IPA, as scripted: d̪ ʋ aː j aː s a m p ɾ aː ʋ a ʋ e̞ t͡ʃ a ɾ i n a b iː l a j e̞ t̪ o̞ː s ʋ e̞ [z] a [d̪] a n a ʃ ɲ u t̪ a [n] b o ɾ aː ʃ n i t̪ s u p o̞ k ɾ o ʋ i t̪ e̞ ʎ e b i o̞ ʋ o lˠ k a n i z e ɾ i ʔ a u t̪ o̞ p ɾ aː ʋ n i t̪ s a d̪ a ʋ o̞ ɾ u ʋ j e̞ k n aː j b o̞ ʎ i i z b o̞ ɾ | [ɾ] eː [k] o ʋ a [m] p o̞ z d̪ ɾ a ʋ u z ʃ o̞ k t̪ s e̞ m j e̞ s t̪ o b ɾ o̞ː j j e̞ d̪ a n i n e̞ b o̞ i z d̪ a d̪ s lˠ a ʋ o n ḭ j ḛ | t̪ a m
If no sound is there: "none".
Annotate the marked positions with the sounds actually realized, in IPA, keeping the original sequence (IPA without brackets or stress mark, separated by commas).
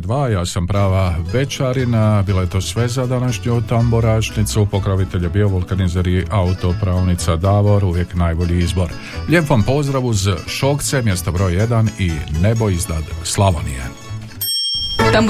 z, d̪, m, ʎ, p, m